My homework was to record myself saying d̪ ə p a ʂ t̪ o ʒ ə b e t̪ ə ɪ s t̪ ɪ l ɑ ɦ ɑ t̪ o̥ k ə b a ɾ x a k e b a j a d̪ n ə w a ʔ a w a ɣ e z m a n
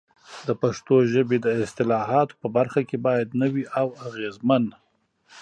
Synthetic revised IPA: d̪ ə p a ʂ t̪ o ʒ ə b e d̪ ə ɪ s t̪ ɪ l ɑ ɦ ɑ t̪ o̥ p ə b a ɾ x a k e b ɑ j a d̪ n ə w i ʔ a w a ɣ e z m a n